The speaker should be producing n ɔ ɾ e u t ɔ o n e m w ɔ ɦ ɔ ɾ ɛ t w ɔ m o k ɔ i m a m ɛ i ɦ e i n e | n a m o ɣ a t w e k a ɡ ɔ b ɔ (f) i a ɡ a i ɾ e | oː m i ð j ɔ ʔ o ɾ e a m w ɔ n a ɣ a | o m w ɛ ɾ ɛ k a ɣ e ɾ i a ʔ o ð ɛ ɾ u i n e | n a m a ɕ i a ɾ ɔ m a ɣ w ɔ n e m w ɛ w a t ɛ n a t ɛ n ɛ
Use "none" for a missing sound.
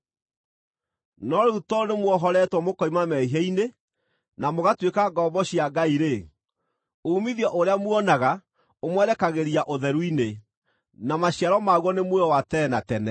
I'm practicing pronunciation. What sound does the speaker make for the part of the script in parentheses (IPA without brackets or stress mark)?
ɕ